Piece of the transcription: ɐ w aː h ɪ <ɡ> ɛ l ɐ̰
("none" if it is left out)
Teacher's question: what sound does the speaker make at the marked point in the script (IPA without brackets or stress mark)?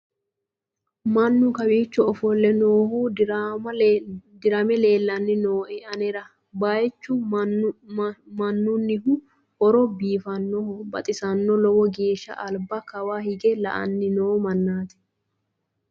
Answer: ɡ